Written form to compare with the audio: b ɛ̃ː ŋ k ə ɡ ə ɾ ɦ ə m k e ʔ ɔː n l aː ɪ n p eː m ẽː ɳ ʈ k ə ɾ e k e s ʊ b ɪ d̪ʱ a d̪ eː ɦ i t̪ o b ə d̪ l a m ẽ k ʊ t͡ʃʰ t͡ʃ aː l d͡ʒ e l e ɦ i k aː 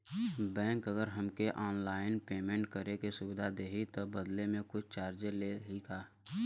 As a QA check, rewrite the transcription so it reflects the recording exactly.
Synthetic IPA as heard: b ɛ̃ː ŋ k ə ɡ ə ɾ ɦ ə m k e ʔ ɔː n l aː ɪ n p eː m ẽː ɳ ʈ k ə ɾ e k e s ʊ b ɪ d̪ʱ a d̪ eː ɦ i t̪ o b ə d̪ l e m ẽ k ʊ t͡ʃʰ t͡ʃ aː ɾ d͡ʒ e l e ɦ i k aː